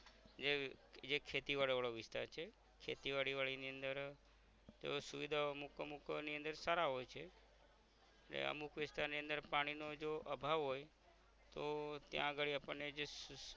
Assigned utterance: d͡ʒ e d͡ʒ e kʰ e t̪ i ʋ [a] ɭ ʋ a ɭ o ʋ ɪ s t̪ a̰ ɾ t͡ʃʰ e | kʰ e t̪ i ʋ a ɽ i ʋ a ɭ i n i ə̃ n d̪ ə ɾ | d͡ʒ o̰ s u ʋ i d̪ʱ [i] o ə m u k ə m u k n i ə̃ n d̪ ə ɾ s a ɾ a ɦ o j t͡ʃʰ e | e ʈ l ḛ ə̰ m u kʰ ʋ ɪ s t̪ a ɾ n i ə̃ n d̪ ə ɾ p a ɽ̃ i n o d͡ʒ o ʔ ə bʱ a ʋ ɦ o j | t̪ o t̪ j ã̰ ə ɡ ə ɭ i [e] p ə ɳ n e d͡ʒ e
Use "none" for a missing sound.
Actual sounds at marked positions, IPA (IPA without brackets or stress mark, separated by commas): a, a, a